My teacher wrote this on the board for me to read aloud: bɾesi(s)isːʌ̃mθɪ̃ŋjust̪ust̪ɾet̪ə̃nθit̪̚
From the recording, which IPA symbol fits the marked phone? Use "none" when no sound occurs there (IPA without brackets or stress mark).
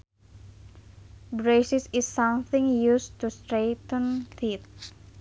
s